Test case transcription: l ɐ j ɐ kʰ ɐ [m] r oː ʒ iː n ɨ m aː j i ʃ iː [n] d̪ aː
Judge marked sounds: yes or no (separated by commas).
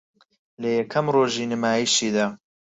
yes, no